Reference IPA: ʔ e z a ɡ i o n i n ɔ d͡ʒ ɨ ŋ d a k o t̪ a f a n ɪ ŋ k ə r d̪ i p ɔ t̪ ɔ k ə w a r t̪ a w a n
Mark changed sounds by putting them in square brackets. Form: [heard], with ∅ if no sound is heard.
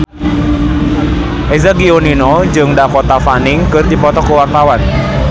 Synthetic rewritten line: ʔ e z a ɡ i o n i n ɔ d͡ʒ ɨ ŋ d a k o t̪ a f a n ɪ ŋ k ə r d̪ i p ɔ t̪ ɔ k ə w a r t̪ a w a n